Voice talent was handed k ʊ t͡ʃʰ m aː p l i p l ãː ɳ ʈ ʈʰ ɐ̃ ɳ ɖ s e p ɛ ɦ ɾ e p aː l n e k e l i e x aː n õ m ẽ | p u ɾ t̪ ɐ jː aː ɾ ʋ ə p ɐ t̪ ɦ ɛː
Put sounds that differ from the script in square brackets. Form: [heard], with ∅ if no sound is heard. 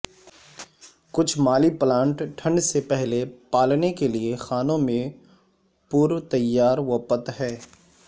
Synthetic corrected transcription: k ʊ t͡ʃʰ m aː [∅] l i p l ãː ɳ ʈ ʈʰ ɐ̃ ɳ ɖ s e p ɛ ɦ [l] e p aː l n e k e l i e x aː n õ m ẽ | p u ɾ t̪ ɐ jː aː ɾ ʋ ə p [ə] t̪ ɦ ɛː